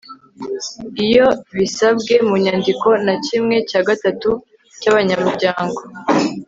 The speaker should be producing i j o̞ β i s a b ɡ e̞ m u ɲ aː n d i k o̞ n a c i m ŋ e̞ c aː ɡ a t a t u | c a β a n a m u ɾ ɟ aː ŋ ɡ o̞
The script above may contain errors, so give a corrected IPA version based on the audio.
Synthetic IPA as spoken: i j o̞ β i s a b ɡ e̞ m u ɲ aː n d i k o̞ n a c i m ŋ e̞ c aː ɡ a t a t u | c a β a ɲ a m u ɾ ɟ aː ŋ ɡ o̞